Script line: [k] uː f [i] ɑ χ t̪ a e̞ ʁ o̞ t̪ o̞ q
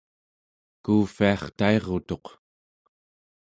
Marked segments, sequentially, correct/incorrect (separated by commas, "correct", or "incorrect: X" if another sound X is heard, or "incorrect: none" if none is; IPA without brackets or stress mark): correct, correct